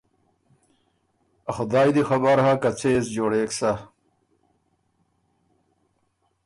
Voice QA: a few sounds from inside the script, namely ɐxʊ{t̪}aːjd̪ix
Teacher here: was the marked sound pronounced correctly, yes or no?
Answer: no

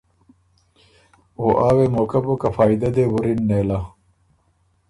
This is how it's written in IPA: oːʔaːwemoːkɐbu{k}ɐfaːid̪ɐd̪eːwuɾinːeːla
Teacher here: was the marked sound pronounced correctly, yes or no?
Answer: yes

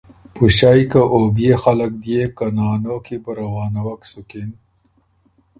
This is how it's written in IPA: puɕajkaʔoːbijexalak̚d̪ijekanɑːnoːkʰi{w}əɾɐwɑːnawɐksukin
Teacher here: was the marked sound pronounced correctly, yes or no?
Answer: no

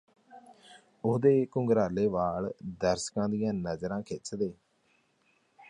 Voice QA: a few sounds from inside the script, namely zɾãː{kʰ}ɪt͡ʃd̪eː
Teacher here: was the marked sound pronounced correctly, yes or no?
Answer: yes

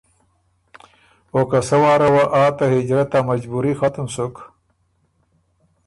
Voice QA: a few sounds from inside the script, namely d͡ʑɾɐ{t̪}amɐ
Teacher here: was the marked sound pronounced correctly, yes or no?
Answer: yes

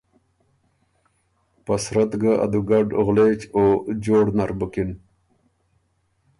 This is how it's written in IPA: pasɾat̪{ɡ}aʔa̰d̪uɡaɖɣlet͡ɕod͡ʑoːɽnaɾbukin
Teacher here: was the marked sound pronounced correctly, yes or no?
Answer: yes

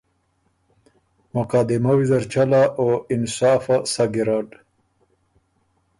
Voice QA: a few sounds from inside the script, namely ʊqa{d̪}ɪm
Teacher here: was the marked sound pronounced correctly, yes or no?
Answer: yes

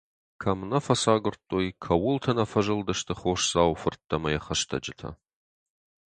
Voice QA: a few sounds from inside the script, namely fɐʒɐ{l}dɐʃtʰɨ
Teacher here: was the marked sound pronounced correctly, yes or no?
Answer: yes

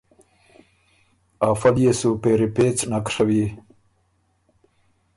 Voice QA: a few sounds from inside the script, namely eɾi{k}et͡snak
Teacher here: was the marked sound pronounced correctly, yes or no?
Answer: no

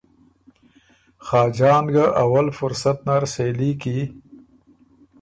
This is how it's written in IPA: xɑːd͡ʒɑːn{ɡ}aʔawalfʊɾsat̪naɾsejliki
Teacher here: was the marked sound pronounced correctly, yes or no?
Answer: yes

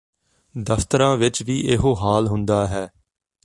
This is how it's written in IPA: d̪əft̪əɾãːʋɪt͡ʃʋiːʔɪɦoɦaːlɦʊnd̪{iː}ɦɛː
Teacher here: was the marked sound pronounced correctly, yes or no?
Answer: no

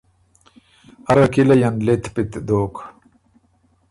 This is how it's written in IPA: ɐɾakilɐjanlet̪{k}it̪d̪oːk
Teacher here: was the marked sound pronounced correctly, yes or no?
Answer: no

